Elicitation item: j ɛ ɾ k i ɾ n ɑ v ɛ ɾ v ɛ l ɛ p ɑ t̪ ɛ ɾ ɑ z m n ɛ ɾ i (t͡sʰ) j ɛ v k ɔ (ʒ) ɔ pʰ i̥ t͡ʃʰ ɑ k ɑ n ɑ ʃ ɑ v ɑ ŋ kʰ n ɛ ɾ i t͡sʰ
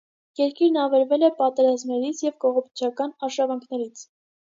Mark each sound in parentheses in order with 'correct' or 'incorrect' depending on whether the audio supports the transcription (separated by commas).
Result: correct, incorrect